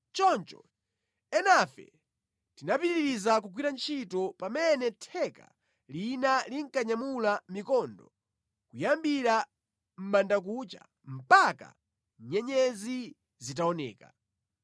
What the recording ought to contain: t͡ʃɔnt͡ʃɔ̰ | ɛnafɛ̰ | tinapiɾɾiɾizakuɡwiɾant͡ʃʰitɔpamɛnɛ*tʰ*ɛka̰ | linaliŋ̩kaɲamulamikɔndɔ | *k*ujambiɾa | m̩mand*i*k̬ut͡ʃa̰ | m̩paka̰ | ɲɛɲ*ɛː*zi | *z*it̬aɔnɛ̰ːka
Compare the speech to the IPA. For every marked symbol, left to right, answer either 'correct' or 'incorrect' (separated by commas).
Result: correct, correct, incorrect, incorrect, correct